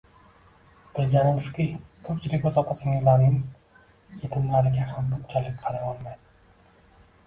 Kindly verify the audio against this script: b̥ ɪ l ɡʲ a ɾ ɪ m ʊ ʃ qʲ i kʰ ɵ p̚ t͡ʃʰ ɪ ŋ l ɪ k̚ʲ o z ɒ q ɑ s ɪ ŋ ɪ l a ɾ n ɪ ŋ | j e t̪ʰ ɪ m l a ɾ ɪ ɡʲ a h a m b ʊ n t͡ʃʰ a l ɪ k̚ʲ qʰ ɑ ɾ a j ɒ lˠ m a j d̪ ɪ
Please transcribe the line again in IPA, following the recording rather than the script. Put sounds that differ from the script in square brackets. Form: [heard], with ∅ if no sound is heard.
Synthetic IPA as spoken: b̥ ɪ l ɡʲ a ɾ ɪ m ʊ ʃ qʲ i kʰ ɵ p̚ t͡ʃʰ ɪ [∅] l ɪ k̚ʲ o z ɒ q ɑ s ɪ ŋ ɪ l a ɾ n ɪ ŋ | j e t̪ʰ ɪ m l a ɾ ɪ ɡʲ a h a m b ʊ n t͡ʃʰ a l ɪ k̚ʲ qʰ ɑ ɾ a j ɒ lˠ m a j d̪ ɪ